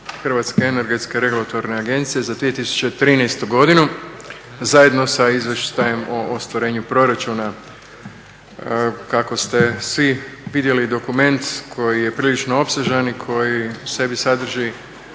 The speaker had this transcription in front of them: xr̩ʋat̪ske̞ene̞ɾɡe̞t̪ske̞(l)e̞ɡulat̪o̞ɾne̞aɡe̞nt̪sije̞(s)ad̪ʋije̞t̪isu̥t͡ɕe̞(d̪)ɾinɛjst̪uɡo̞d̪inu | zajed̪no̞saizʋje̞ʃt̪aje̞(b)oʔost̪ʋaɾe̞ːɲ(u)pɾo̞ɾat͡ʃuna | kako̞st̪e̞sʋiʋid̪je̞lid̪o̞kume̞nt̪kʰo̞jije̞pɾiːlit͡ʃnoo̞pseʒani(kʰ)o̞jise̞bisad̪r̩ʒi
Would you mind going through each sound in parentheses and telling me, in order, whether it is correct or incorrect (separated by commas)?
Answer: incorrect, incorrect, incorrect, incorrect, correct, correct